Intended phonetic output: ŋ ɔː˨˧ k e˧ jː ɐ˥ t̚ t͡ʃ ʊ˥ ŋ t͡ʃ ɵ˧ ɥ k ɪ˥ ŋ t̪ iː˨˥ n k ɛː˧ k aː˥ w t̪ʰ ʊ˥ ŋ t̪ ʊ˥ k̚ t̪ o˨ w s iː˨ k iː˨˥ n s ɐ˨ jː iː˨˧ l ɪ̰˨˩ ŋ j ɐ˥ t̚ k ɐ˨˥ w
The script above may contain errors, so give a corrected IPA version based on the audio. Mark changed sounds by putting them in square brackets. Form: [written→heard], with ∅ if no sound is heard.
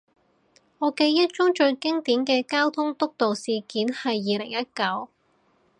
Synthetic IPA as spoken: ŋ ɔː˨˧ k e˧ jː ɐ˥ t̚ t͡ʃ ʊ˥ ŋ t͡ʃ ɵ˧ ɥ k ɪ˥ ŋ t̪ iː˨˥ n k ɛː˧ k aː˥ w t̪ʰ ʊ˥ ŋ t̪ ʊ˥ k̚ t̪ o˨ w s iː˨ k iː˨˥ n [s→h] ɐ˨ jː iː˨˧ l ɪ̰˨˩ ŋ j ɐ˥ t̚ k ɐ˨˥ w